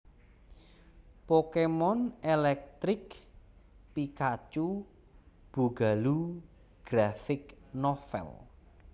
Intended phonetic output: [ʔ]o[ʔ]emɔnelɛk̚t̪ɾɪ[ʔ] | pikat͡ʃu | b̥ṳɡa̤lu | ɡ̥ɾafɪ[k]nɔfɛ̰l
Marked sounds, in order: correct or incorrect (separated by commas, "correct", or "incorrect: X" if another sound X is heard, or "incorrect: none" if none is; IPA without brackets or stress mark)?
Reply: incorrect: p, incorrect: k, incorrect: k, correct